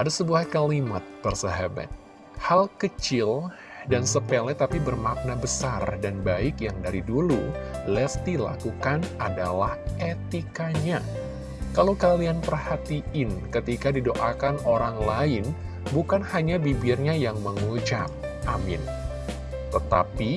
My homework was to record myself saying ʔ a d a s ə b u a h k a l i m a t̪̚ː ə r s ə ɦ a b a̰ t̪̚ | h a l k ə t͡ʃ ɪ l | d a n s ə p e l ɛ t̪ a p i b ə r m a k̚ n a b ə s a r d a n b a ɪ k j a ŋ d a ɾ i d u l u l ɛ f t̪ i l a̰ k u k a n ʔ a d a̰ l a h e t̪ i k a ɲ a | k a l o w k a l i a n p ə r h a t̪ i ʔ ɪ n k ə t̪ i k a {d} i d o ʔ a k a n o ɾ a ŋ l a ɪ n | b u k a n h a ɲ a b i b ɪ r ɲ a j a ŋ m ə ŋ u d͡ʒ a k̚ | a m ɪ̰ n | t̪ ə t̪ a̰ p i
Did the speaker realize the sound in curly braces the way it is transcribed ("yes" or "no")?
yes